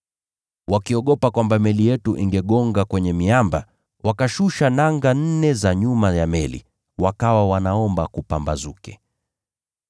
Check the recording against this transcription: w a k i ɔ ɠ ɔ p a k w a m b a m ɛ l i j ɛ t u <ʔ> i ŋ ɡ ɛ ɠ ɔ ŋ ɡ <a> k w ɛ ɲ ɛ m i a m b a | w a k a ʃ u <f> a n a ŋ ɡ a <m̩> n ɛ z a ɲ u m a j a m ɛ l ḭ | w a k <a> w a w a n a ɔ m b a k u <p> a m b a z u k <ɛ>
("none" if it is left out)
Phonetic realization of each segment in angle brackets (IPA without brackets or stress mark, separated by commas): ʔ, a, ʃ, n̩, a, p, ɛ